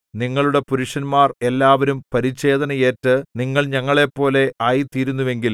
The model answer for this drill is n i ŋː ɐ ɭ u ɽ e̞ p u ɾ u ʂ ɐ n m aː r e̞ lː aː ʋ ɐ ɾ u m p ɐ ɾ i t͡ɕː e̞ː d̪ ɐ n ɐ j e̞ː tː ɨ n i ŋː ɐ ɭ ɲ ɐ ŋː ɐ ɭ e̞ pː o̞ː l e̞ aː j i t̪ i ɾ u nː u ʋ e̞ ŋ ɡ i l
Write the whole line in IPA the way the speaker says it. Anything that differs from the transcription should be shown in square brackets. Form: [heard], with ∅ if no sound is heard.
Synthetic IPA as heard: n i ŋː ɐ ɭ u ɽ e̞ p u ɾ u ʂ ɐ n m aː r e̞ lː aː ʋ ɐ ɾ u m p ɐ ɾ i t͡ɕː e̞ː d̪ ɐ n ɐ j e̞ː tː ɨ n i ŋː ɐ ɭ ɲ ɐ ŋː ɐ ɭ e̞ pː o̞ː l e̞ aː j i t̪ [iː] ɾ u nː u ʋ e̞ ŋ ɡ i l

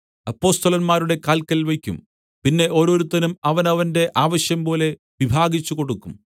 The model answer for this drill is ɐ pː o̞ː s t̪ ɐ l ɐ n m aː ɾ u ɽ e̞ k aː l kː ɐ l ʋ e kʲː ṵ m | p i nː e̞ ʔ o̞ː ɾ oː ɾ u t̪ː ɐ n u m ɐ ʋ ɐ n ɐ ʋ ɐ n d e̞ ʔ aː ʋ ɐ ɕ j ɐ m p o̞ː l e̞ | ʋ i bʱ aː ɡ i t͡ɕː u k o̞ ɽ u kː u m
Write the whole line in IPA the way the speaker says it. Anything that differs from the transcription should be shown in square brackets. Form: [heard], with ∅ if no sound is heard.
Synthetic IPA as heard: ɐ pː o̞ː s t̪ ɐ l ɐ n m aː ɾ u ɽ e̞ k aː l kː ɐ l ʋ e kʲː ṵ m | p i nː e̞ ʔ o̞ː ɾ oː ɾ u t̪ː ɐ n u m ɐ ʋ ɐ n ɐ ʋ ɐ n d e̞ ʔ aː ʋ ɐ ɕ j ɐ m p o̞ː l e̞ | ʋ i bʱ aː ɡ i t͡ɕː u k o̞ ɽ u kː u m

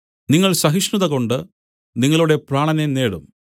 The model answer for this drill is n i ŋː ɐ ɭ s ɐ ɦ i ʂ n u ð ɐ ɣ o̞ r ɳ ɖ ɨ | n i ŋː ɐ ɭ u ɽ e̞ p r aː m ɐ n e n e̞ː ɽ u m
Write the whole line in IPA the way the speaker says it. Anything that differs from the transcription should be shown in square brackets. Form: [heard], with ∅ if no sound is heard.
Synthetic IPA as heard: n i ŋː ɐ ɭ s ɐ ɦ i ʂ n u ð ɐ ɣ o̞ [∅] ɳ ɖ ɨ | n i ŋː ɐ ɭ u ɽ e̞ p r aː [ɳ] ɐ n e n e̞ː ɽ u m

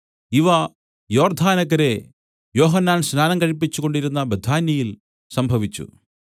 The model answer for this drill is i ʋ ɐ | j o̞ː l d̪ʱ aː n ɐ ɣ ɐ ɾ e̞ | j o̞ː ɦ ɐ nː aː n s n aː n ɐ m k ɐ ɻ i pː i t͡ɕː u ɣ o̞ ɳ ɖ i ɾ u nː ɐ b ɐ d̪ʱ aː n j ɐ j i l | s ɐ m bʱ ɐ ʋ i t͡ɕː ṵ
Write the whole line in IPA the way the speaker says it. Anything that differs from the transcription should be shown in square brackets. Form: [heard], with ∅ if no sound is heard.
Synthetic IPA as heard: i ʋ ɐ | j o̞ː [r] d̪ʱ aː n ɐ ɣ ɐ ɾ e̞ | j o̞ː ɦ ɐ nː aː n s n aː n ɐ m k ɐ ɻ i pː i t͡ɕː u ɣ o̞ ɳ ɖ i ɾ u nː ɐ b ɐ d̪ʱ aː n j ɐ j i l | s ɐ m bʱ ɐ ʋ i t͡ɕː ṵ

